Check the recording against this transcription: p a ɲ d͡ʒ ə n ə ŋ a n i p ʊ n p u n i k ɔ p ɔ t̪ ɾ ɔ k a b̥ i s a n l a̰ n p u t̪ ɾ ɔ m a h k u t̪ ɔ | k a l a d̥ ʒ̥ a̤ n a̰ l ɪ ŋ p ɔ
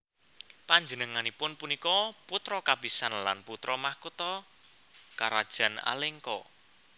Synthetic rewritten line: p a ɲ d͡ʒ ə n ə ŋ a n i p ʊ n p u n i k ɔ p u t̪ ɾ ɔ k a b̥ i s a n l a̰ n p u t̪ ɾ ɔ m a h k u t̪ ɔ | k a ɾ a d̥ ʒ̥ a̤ n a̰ l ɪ ŋ k ɔ